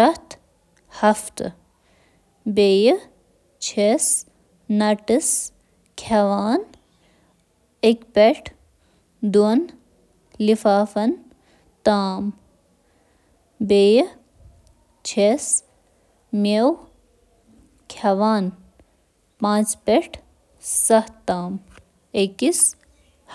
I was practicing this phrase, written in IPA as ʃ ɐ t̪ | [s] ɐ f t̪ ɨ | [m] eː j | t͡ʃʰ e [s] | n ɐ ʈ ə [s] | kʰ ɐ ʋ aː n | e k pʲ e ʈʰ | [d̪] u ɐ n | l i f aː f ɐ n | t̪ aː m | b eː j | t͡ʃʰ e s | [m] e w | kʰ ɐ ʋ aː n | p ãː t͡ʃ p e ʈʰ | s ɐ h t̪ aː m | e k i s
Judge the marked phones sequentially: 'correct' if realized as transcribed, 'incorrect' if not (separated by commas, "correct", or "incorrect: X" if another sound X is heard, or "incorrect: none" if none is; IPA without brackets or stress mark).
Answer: incorrect: h, incorrect: b, correct, correct, correct, correct